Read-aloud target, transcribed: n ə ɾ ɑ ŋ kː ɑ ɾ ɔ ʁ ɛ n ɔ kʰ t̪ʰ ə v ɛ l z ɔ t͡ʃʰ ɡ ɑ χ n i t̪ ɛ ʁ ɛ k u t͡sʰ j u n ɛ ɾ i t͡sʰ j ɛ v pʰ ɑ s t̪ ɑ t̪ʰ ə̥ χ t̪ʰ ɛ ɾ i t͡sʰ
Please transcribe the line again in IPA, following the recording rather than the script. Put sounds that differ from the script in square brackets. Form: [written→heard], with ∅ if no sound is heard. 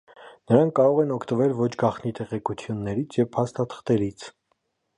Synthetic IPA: n ə ɾ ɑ ŋ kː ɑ ɾ ɔ ʁ ɛ n ɔ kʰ [t̪ʰ→t̪] ə v ɛ l [z→v] ɔ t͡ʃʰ ɡ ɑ χ n i t̪ ɛ ʁ ɛ k u t͡sʰ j u [n→nː] ɛ ɾ i t͡sʰ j ɛ v pʰ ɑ s t̪ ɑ t̪ʰ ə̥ χ [t̪ʰ→t̪] ɛ ɾ i t͡sʰ